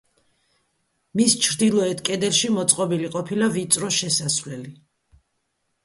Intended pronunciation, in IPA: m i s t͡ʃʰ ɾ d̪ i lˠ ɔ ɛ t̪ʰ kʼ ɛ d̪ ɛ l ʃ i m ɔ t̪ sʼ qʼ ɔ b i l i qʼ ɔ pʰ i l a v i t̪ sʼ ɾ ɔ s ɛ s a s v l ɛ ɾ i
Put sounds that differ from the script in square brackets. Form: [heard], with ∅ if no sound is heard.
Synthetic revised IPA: m i s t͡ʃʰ ɾ d̪ i lˠ ɔ ɛ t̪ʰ kʼ ɛ d̪ ɛ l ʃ i m ɔ t̪ sʼ qʼ ɔ b i l i qʼ ɔ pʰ i l a v i t̪ sʼ ɾ ɔ [ʃ] ɛ s a s v l ɛ [l] i

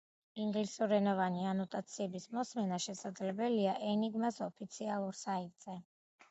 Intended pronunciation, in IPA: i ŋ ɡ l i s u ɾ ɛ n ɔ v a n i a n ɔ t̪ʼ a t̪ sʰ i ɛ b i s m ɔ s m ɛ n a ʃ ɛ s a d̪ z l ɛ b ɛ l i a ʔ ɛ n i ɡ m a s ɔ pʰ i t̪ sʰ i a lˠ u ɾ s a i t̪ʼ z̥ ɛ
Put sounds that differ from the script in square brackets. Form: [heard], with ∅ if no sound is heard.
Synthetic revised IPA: i ŋ ɡ l i s u ɾ ɛ n ɔ v a n i a n ɔ t̪ʼ a t̪ sʰ i ɛ b i s m ɔ s m ɛ n a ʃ ɛ s a d̪ z l ɛ b ɛ l i a ʔ ɛ n i ɡ m a s ɔ pʰ i t̪ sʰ i a lˠ u ɾ s a i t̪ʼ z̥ ɛ

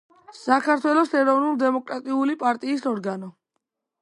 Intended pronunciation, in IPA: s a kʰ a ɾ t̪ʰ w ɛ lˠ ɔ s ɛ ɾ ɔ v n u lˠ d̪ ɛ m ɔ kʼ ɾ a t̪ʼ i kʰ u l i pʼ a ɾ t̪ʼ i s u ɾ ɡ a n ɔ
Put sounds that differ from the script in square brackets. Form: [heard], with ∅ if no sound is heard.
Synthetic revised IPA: s a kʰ a ɾ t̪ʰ w ɛ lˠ ɔ s ɛ ɾ ɔ v n u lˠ d̪ ɛ m ɔ kʼ ɾ a t̪ʼ i [∅] u l i pʼ a ɾ t̪ʼ [iː] s [ɔ] ɾ ɡ a n ɔ

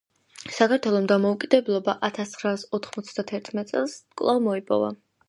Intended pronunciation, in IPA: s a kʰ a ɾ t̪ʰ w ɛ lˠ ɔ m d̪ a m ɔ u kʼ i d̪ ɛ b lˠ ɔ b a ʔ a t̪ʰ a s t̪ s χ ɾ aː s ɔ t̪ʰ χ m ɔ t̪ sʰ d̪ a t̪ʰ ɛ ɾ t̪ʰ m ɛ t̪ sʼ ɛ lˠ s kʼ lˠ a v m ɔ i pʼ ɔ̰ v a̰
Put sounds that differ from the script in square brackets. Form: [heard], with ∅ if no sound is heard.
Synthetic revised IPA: s a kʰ a ɾ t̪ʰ w ɛ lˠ ɔ m d̪ a m ɔ u kʼ i d̪ ɛ b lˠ ɔ b a ʔ a t̪ʰ a s t̪ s χ ɾ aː s ɔ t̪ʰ χ m ɔ t̪ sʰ d̪ a t̪ʰ ɛ ɾ t̪ʰ m ɛ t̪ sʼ ɛ lˠ s kʼ lˠ a v m ɔ i pʼ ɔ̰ v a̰

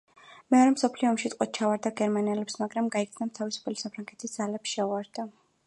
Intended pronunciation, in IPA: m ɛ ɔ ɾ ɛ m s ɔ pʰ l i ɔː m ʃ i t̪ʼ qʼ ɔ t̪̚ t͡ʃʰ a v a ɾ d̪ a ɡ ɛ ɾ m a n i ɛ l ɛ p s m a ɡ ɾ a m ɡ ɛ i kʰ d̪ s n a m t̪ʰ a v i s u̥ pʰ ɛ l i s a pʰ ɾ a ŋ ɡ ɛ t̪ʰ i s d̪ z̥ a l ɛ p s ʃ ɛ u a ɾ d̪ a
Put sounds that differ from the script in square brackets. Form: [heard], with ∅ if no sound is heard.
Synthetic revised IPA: m ɛ ɔ ɾ ɛ m s ɔ pʰ l i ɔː m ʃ i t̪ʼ qʼ ɔ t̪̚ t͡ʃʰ a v a ɾ d̪ a ɡ ɛ ɾ m a n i ɛ l ɛ p s m a ɡ ɾ a m ɡ [a] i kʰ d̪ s n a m t̪ʰ a v i s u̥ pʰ ɛ l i s a pʰ ɾ a ŋ ɡ ɛ t̪ʰ i s d̪ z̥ a l ɛ p s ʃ ɛ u a ɾ d̪ a

